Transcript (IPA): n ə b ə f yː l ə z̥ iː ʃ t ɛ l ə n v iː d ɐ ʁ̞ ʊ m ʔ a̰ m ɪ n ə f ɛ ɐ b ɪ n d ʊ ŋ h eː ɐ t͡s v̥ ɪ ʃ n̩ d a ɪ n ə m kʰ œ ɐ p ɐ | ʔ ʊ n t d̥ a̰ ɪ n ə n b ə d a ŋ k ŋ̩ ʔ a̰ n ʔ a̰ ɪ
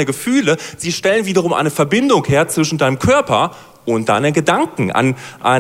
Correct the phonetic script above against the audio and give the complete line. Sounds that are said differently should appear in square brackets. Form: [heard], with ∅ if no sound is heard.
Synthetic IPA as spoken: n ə [ɡ] ə f yː l ə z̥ iː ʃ t ɛ l ə n v iː d ɐ ʁ̞ ʊ m ʔ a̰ [∅] ɪ n ə f ɛ ɐ b ɪ n d ʊ ŋ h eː ɐ t͡s v̥ ɪ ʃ n̩ d a ɪ n ə m kʰ œ ɐ p ɐ | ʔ ʊ n t d̥ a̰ ɪ n ə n [ɡ] ə d a ŋ k ŋ̩ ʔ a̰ n ʔ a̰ ɪ